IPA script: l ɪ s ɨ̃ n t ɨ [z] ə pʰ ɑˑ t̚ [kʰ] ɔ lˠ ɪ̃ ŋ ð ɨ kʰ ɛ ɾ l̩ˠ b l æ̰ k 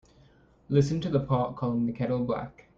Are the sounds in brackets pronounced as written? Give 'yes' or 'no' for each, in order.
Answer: no, yes

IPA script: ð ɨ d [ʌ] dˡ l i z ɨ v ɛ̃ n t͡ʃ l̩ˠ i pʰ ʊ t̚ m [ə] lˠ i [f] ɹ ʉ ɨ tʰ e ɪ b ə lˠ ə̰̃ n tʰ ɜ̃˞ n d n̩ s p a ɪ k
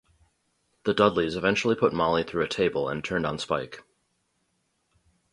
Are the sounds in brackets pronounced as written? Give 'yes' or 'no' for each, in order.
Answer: yes, no, no

